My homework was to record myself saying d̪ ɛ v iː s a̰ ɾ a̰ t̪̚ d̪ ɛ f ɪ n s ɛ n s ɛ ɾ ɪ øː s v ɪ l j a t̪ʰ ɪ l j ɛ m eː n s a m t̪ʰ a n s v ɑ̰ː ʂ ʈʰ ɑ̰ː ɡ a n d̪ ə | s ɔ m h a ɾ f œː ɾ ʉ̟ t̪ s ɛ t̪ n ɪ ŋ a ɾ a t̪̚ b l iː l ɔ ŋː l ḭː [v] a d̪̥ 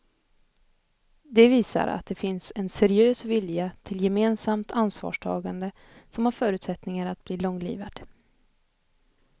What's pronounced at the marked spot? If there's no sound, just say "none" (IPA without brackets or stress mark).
v